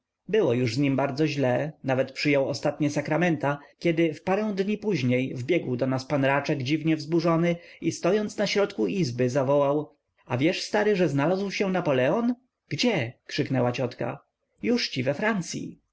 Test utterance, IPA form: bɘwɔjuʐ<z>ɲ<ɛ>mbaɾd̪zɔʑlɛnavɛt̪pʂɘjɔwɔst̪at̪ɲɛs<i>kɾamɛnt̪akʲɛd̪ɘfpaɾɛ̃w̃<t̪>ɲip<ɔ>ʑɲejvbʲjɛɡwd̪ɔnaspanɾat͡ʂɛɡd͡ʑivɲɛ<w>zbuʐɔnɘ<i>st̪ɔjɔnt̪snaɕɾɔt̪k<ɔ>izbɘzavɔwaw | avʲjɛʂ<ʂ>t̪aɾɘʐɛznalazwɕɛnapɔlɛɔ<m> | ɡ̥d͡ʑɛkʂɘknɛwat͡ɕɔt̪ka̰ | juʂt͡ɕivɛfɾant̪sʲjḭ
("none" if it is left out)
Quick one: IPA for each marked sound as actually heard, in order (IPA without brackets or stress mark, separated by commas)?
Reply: z, i, a, d̪, u, v, i, u, s, n